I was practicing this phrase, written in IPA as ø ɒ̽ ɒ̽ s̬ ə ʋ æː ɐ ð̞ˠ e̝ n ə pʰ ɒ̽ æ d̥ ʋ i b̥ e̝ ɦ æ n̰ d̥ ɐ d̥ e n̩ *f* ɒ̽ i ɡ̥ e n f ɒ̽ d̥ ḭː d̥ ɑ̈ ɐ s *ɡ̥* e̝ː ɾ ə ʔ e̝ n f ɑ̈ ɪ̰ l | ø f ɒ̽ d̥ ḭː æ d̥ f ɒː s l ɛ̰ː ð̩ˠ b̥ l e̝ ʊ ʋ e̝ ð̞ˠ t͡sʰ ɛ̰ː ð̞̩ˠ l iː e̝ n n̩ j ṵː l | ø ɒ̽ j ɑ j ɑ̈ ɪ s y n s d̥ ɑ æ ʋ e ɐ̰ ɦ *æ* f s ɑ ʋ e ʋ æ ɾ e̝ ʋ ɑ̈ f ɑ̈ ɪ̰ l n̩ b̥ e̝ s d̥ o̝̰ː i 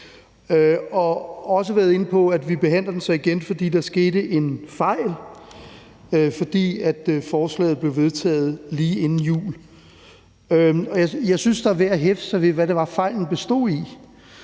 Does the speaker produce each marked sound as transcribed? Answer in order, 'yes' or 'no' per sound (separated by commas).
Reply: no, yes, no